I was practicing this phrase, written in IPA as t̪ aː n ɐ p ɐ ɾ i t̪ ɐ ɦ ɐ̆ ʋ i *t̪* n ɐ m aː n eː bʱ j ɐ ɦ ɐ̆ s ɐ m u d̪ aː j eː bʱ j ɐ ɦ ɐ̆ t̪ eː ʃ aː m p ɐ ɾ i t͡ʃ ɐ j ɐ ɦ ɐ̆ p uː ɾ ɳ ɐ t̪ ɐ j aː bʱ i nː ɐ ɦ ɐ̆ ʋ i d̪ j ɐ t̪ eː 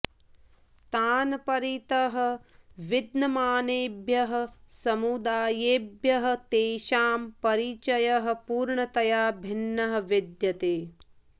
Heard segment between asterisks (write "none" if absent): d̪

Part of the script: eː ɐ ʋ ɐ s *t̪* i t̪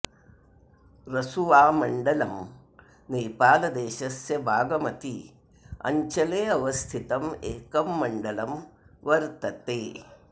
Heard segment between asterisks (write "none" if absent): t̪ʰ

